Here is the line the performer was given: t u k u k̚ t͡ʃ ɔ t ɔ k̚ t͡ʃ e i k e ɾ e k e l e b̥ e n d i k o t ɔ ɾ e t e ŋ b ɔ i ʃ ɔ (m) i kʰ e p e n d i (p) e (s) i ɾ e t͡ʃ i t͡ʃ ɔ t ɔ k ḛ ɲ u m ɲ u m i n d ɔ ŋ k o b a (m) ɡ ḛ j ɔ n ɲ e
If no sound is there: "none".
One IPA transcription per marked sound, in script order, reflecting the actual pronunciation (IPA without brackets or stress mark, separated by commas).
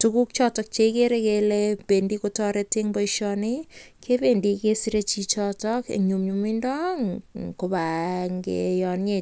n, k, s, ŋ